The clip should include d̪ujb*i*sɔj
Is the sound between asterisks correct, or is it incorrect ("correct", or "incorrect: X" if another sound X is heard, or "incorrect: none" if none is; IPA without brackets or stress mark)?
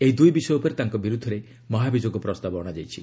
correct